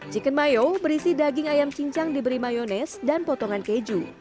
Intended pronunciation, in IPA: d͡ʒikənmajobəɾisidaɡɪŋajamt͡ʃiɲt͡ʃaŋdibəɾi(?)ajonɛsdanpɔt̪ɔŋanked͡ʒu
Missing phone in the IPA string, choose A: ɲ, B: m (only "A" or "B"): B